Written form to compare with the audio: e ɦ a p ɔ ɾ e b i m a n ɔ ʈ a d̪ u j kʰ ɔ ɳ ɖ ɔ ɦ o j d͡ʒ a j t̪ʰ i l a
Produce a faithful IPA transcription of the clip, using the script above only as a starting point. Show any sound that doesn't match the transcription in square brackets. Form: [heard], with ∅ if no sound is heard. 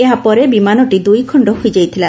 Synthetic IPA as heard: e ɦ a p ɔ ɾ e b i m a n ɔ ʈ [i] d̪ u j kʰ ɔ ɳ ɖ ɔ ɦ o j d͡ʒ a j t̪ʰ i l a